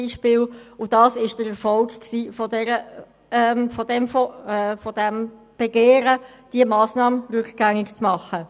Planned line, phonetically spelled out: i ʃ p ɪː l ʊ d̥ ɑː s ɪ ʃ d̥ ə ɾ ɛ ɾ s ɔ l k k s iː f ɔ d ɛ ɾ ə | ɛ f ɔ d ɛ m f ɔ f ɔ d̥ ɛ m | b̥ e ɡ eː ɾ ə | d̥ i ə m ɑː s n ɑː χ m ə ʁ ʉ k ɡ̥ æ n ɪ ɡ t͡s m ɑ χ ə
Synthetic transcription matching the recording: i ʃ p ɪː l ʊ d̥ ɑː s ɪ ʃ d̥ ə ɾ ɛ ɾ f ɔ l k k s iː f ɔ d ɛ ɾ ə | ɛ f ɔ d ɛ m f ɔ f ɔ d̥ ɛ m | b̥ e ɡ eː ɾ ə | d̥ i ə m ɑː s n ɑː m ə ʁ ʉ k ɡ̥ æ ŋ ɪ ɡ t͡s m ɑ χ ə